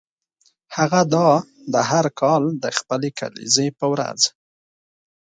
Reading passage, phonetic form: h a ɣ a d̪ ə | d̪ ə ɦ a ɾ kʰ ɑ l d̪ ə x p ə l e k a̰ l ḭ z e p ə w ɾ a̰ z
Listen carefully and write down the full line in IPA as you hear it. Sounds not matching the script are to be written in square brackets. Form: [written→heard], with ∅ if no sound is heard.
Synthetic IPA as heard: h a ɣ a d̪ [ə→ɑ] | d̪ ə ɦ a ɾ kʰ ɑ l d̪ ə x p ə l e k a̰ l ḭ z e p ə w ɾ a̰ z